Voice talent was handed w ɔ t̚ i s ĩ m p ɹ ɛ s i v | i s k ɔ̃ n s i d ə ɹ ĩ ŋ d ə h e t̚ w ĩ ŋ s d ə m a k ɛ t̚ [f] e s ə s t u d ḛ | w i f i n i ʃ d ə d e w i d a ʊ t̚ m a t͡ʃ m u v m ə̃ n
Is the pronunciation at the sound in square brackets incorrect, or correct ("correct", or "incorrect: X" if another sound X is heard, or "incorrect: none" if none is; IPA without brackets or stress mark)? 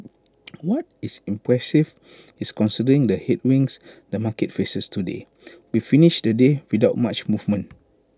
correct